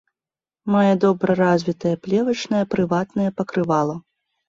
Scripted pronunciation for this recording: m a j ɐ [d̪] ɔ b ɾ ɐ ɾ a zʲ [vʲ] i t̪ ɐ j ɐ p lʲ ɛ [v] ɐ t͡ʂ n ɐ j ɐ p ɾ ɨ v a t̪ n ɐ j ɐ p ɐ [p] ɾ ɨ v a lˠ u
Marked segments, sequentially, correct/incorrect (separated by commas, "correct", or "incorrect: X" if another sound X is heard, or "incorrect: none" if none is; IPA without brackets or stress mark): correct, correct, correct, incorrect: k